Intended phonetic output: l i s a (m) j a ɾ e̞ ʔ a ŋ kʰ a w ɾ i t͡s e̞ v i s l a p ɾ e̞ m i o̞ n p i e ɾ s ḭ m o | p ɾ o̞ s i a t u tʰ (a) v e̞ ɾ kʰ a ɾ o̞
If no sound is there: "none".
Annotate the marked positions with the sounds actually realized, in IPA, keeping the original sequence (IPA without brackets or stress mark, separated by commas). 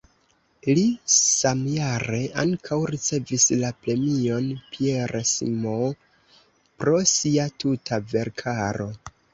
m, a